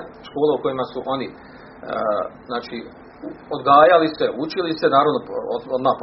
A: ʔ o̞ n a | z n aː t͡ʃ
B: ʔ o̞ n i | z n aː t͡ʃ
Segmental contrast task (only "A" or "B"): B